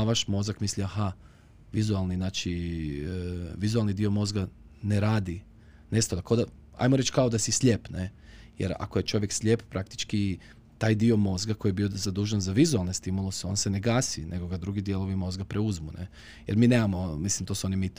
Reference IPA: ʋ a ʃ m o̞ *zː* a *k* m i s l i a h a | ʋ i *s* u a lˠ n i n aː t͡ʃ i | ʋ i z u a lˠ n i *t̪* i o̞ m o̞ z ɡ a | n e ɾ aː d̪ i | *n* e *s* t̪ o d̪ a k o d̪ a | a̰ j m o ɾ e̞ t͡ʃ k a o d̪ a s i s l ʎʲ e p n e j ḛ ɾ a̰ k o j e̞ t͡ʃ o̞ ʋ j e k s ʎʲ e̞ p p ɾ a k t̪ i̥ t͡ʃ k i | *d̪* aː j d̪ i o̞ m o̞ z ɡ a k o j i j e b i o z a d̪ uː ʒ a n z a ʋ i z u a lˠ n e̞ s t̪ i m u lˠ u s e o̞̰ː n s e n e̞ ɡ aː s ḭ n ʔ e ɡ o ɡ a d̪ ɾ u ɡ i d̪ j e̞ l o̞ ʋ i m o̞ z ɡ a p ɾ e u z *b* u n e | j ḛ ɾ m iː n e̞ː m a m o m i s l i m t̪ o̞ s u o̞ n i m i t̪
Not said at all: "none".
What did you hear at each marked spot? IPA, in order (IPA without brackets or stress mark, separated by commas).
z, k, z, d̪, n, s, t̪, m